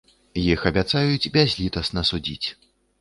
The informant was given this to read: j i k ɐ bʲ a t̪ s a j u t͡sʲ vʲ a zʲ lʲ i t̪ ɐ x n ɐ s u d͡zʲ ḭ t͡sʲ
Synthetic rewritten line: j i x ɐ bʲ a t̪ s a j u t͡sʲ bʲ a zʲ lʲ i t̪ ɐ s n ɐ s u d͡zʲ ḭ t͡sʲ